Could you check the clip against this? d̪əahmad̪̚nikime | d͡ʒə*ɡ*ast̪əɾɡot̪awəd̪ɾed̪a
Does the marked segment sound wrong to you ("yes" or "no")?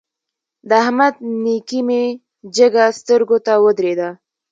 no